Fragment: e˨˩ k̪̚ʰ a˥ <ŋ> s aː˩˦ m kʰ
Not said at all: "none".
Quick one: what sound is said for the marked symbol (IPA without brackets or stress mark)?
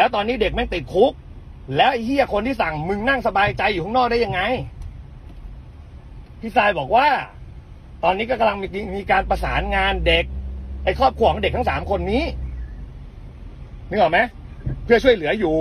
ŋ